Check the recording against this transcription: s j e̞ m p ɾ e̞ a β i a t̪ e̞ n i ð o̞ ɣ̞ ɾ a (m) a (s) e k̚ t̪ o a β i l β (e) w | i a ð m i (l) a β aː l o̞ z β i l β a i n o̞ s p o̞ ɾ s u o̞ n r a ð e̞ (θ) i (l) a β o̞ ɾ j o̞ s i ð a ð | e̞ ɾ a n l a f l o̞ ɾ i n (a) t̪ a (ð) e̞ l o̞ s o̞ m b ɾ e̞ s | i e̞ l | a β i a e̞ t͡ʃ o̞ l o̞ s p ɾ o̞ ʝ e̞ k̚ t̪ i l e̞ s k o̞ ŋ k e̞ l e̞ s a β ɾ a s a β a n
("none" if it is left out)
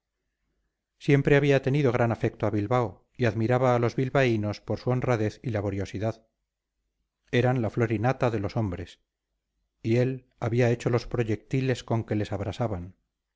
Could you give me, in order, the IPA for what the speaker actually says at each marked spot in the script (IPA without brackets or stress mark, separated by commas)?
n, f, a, ɾ, θ, l, a, ð